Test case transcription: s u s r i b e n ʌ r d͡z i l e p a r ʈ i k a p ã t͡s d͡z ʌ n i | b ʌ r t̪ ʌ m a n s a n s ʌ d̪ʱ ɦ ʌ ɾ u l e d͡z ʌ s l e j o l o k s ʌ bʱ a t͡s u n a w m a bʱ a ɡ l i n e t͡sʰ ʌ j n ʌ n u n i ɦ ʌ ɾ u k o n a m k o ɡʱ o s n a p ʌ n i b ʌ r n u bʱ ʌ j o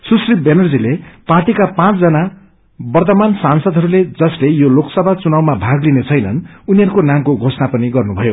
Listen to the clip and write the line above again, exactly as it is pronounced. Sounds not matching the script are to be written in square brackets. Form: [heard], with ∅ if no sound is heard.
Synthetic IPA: s u s r i b e n ʌ r d͡z i l e p a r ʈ i k a p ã t͡s d͡z ʌ n [a] | b ʌ r t̪ ʌ m a n s a n s ʌ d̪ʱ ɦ ʌ ɾ u l e d͡z ʌ s l e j o l o k s ʌ bʱ a t͡s u n a w m a bʱ a ɡ l i n e t͡sʰ ʌ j n ʌ n u n i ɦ ʌ ɾ u k o n a m k o ɡʱ o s n a p ʌ n i [ɡ] ʌ r n u bʱ ʌ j o